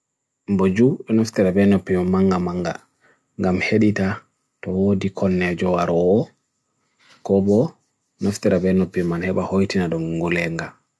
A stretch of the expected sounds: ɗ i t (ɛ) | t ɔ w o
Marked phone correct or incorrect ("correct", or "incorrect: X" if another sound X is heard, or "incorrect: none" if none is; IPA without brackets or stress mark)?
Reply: incorrect: a